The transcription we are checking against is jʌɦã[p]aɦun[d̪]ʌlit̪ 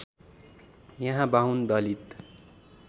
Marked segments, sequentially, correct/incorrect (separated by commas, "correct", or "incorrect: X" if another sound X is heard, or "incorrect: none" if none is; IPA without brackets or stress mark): incorrect: b, correct